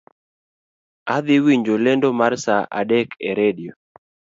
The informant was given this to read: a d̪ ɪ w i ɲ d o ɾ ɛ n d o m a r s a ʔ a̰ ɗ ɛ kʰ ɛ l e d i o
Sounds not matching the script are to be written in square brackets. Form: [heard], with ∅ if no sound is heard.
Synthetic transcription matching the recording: a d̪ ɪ w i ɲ [d͡ʒ] o [l] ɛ n d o m a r s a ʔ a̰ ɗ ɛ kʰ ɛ [ɾ] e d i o